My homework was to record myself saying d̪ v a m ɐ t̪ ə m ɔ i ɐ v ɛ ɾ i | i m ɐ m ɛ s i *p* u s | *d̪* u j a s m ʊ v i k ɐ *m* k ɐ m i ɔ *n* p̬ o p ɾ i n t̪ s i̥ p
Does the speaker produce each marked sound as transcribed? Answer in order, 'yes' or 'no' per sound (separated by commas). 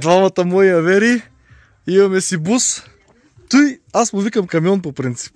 no, no, yes, yes